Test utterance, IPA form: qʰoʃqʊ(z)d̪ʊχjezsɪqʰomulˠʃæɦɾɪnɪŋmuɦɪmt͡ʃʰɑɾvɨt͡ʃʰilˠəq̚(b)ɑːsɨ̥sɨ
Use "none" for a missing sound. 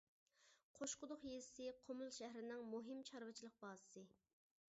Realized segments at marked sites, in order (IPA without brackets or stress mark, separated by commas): none, b